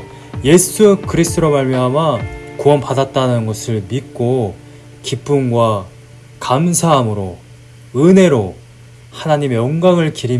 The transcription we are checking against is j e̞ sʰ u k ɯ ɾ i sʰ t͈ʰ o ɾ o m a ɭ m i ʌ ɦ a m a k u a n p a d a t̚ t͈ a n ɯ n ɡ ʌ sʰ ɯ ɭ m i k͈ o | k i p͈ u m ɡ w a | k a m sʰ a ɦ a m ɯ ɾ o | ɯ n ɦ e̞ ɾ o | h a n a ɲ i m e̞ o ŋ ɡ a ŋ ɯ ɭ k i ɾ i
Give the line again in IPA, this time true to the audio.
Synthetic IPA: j e̞ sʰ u k ɯ ɾ i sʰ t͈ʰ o ɾ o m a ɭ m j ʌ ɦ a m a k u ʌ n p a d a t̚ t͈ a n ɯ n ɡ ʌ sʰ ɯ ɭ m i k͈ o | k i p͈ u m ɡ w a | k a m sʰ a ɦ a m ɯ ɾ o | ɯ n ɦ e̞ ɾ o | h a n a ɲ i m e̞ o ŋ ɡ a ŋ ɯ ɭ k i ɾ i

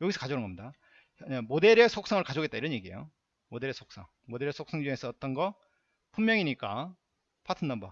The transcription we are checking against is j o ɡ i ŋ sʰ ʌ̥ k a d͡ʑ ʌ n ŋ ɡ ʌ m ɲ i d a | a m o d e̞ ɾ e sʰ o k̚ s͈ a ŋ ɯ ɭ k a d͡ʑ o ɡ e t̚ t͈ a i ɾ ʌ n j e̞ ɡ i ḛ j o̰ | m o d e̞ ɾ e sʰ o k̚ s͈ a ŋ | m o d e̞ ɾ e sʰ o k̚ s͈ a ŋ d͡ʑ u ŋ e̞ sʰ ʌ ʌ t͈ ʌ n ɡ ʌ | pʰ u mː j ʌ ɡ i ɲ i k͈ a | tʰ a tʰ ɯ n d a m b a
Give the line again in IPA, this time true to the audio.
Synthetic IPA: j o ɡ i sʰ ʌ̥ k a d͡ʑ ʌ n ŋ ɡ ʌ m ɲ i d a | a m o d e̞ ɾ e sʰ o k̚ s͈ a ŋ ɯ ɭ k a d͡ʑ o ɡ e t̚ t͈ a i ɾ ʌ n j e̞ ɡ i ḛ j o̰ | m o d e̞ ɾ e sʰ o k̚ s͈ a ŋ | m o d e̞ ɾ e sʰ o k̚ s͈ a ŋ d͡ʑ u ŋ e̞ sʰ ʌ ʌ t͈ ʌ n ɡ ʌ | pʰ u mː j ʌ ŋ i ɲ i k͈ a | pʰ a tʰ ɯ n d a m b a

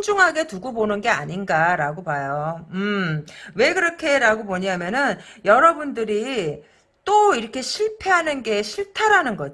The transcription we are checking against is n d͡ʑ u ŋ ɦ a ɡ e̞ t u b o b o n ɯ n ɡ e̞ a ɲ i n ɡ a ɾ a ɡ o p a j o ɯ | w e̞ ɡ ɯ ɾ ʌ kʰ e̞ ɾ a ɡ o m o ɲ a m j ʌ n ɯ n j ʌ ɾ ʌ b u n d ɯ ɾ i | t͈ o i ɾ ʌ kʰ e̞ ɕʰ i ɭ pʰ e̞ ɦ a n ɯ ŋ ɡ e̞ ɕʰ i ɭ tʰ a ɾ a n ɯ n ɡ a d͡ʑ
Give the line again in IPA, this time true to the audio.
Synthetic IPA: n d͡ʑ u ŋ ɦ a ɡ e̞ t u ɡ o b o n ɯ n ɡ e̞ a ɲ i n ɡ a ɾ a ɡ o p a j o ɯ | w e̞ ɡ ɯ ɾ ʌ kʰ e̞ ɾ a ɡ o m o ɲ a m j ʌ n ɯ n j ʌ ɾ ʌ b u n d ɯ ɾ i | t͈ o i ɾ ʌ kʰ e̞ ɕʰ i ɭ pʰ e̞ ɦ a n ɯ n ɡ e̞ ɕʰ i ɭ tʰ a ɾ a n ɯ n ɡ ʌ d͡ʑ

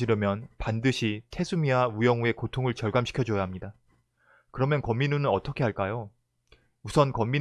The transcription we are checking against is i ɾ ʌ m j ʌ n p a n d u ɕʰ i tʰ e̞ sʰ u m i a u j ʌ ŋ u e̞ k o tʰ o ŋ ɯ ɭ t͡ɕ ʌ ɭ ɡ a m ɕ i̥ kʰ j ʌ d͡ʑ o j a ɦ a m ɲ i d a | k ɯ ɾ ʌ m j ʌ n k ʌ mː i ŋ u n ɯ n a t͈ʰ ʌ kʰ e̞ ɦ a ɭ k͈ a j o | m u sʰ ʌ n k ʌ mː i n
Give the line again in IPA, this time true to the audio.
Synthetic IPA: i ɾ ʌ m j ʌ n p a n d ɯ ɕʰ i tʰ e̞ sʰ u m i a u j ʌ ŋ u e̞ k o tʰ o ŋ ɯ ɭ t͡ɕ ʌ ɭ ɡ a m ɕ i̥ kʰ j ʌ d͡ʑ o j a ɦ a m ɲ i d a | k ɯ ɾ ʌ m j ʌ n k ʌ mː i n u n ɯ n ʌ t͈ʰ ʌ kʰ e̞ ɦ a ɭ k͈ a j o | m u sʰ ʌ n k ʌ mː i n

